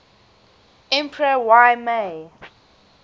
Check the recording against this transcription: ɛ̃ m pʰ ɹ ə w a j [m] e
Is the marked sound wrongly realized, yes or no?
no